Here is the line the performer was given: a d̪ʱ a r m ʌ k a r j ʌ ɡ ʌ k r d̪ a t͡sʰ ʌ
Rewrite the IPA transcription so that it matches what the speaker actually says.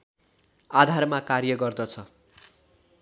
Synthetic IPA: a d̪ʱ a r m a k a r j ʌ ɡ ʌ r d̪ ʌ t͡sʰ ʌ